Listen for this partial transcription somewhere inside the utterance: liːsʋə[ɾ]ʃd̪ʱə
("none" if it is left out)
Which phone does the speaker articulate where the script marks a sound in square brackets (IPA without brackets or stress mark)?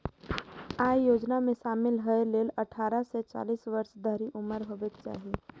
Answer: ɾ